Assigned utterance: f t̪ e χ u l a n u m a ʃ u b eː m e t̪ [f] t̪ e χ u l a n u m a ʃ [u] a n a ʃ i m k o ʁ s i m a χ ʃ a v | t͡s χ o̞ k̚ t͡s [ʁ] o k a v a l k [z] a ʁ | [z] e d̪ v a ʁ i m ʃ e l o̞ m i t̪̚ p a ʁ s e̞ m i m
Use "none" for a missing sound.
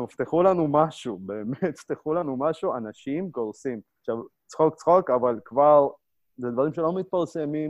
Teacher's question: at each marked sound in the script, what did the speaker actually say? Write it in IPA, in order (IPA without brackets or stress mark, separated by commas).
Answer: f, u, χ, v, z